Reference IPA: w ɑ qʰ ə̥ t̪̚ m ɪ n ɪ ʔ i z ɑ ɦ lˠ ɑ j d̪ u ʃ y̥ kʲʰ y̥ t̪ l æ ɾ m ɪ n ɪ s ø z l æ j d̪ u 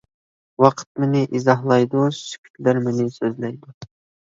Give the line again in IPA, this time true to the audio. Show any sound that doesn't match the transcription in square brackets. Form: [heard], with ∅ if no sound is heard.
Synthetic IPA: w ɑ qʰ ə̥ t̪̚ m ɪ n ɪ ʔ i z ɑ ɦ lˠ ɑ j d̪ u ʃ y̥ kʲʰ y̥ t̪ l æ ɾ m ɪ n ɪ s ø z l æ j d̪ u